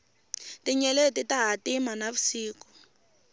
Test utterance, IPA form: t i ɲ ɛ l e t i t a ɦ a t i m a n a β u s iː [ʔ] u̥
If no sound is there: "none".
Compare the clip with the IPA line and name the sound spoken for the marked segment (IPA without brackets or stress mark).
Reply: k